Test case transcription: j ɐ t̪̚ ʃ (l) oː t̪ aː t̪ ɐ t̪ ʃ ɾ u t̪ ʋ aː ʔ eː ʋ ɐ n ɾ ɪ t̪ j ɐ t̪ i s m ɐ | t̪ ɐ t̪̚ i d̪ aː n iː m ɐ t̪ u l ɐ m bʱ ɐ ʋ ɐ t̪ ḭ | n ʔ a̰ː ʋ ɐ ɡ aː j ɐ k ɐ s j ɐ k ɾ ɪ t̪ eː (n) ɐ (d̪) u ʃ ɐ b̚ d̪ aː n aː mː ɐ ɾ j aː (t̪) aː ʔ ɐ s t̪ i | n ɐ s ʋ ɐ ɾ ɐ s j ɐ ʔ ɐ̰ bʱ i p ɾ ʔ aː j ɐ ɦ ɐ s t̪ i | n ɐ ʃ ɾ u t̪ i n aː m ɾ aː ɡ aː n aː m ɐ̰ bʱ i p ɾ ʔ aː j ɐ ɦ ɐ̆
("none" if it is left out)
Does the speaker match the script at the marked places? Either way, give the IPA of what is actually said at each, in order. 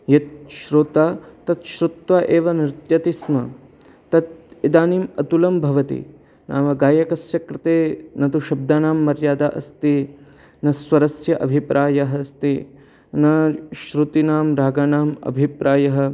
ɾ, n, t̪, d̪

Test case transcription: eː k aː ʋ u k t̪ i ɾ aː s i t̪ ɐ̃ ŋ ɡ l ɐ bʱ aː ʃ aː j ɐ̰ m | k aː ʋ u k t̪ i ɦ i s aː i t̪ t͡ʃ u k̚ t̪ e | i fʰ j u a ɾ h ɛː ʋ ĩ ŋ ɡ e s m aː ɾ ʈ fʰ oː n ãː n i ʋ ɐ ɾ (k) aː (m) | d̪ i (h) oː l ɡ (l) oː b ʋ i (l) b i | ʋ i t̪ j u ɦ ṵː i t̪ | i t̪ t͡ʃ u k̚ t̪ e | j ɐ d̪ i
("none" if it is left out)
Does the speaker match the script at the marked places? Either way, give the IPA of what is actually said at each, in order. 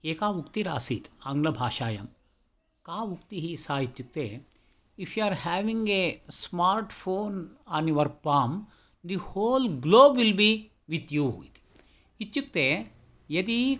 p, m, h, l, l

